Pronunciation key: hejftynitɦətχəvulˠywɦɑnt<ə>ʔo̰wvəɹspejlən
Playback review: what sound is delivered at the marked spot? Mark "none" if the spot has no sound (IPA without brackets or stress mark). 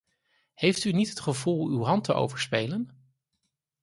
ə